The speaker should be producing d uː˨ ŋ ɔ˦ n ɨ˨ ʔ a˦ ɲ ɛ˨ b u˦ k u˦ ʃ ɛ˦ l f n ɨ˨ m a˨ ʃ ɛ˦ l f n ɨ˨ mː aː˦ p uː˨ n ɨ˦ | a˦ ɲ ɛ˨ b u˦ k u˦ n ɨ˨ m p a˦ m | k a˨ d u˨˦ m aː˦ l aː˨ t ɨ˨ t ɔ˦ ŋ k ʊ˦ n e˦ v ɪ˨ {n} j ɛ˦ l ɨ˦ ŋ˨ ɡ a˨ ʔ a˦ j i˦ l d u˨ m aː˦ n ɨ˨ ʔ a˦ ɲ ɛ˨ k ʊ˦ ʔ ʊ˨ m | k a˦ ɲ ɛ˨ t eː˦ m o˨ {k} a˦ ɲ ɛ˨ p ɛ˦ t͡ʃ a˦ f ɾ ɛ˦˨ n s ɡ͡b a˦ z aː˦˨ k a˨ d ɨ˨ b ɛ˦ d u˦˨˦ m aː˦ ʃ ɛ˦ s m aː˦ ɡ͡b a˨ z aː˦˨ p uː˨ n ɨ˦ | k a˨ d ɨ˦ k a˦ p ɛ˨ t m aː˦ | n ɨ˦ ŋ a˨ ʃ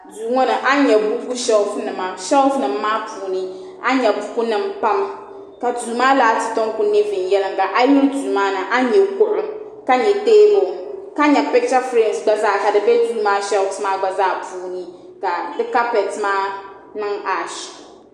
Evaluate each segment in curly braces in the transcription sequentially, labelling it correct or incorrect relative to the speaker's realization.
correct, correct

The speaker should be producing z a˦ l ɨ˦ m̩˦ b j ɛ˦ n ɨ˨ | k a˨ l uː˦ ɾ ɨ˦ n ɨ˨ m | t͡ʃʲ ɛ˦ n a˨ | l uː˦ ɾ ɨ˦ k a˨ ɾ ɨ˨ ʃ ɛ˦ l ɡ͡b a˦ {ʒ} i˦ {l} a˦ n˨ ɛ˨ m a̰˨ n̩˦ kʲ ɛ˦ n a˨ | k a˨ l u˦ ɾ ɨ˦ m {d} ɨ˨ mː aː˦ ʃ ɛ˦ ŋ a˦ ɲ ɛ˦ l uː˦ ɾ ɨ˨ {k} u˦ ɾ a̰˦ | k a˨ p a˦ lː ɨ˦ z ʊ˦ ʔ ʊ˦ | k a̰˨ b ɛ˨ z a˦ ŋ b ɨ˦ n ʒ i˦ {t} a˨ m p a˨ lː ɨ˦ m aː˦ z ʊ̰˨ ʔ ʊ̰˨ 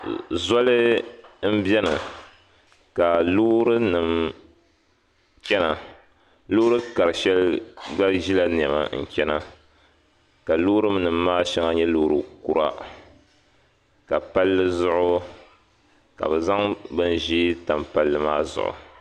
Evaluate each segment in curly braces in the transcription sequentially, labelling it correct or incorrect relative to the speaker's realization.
correct, correct, incorrect: n, correct, correct

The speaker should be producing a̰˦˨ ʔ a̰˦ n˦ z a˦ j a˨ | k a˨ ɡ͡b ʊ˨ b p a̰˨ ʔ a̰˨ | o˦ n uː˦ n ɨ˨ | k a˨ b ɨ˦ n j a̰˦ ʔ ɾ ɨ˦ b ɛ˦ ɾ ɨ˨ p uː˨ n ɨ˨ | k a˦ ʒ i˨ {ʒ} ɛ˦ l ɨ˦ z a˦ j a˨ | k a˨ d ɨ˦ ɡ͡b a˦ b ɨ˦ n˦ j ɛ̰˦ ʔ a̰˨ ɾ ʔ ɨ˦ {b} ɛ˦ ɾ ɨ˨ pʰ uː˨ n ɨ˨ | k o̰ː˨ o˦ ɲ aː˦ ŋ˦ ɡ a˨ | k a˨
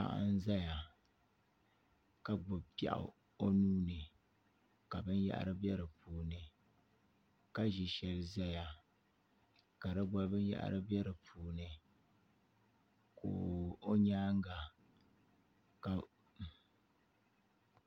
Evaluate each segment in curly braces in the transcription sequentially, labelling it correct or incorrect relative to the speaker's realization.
incorrect: ʃ, correct

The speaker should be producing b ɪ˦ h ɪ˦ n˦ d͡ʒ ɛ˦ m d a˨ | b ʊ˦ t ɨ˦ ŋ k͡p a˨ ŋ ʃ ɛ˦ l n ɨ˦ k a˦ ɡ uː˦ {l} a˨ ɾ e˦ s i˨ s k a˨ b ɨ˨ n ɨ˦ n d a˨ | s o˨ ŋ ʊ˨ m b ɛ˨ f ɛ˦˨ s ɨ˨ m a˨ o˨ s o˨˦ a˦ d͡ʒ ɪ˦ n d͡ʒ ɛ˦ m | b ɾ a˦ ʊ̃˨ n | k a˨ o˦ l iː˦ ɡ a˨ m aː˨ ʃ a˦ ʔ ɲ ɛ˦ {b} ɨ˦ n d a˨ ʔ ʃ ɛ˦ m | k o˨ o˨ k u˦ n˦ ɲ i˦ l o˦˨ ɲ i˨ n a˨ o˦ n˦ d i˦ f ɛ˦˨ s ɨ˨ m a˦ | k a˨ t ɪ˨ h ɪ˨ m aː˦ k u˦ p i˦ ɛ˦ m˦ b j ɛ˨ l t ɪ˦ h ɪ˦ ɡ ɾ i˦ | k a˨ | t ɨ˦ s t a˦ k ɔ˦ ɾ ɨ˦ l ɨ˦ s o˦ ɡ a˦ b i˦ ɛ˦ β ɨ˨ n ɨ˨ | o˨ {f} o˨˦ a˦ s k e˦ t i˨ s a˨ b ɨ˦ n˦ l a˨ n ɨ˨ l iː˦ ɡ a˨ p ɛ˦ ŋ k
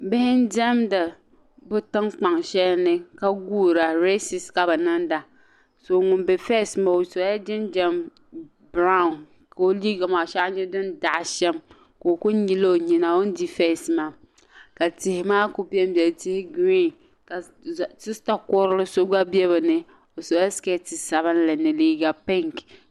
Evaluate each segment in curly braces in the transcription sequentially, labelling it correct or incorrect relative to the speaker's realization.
incorrect: ɾ, incorrect: d, incorrect: s

